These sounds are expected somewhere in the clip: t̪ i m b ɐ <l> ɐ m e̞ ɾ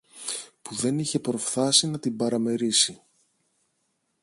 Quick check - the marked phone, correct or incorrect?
incorrect